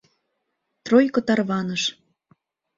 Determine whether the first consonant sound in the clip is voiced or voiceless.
voiceless